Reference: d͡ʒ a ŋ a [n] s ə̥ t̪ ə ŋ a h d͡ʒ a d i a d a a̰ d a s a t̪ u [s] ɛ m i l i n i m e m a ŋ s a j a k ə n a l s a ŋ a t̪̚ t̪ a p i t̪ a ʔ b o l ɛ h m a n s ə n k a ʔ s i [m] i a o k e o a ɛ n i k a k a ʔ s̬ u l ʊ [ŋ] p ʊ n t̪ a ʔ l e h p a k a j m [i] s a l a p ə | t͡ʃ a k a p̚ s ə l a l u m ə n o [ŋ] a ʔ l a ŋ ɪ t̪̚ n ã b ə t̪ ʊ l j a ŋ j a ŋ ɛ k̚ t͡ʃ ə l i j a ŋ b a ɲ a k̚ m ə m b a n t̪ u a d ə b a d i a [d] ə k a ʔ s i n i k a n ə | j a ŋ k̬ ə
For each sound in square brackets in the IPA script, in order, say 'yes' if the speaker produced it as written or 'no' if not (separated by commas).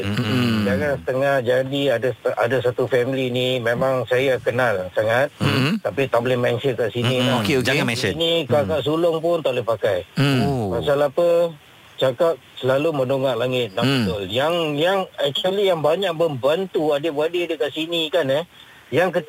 yes, no, no, yes, no, yes, yes